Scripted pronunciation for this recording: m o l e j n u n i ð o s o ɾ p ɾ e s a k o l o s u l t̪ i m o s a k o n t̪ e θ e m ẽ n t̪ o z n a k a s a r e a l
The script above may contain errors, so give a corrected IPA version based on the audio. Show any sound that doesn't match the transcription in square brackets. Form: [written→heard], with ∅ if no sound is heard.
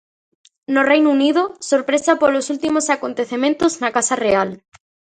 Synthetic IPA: [m→n] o [l→r] e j n u n i ð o s o ɾ p ɾ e s a [k→p] o l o s u l t̪ i m o s a k o n t̪ e θ e m ẽ n t̪ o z n a k a s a r e a l